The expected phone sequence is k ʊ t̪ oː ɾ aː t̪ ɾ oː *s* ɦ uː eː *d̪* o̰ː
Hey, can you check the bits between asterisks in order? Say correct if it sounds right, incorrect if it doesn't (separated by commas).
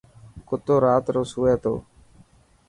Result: correct, incorrect